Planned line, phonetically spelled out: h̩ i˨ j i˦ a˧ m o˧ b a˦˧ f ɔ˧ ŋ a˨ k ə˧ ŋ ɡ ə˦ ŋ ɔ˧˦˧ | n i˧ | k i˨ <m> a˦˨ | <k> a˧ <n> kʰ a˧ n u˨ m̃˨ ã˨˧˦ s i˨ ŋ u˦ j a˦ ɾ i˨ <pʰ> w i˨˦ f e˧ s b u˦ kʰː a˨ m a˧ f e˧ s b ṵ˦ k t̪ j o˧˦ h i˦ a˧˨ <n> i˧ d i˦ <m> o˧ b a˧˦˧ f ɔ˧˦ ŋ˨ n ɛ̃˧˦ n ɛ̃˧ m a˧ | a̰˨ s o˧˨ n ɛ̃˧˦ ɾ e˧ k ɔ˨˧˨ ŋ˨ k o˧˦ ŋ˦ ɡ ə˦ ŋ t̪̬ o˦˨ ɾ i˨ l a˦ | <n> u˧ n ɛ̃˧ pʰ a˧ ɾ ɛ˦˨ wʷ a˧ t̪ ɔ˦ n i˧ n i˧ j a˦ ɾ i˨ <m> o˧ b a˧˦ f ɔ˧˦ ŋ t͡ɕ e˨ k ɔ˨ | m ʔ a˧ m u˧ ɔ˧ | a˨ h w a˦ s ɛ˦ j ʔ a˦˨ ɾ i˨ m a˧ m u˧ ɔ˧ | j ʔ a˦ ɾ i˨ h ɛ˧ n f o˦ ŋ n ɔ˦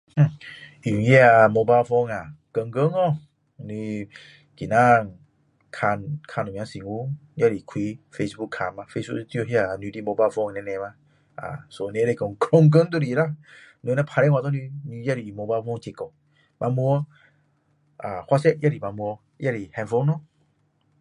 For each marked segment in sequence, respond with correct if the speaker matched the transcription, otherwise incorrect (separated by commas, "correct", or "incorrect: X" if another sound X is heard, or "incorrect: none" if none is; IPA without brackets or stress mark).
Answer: incorrect: n, incorrect: kʰ, correct, incorrect: kʰ, correct, correct, correct, correct